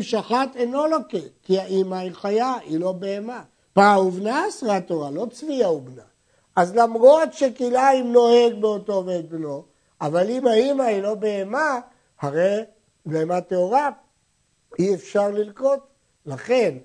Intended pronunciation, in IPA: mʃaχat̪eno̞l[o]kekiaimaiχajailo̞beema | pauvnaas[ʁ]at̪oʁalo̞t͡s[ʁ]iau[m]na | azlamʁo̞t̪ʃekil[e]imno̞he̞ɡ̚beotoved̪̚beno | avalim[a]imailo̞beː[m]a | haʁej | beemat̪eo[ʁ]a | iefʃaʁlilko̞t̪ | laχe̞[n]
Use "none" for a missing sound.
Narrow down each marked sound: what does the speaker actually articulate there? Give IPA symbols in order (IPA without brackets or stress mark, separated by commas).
o, ʁ, v, b, a, a, m, ʁ, n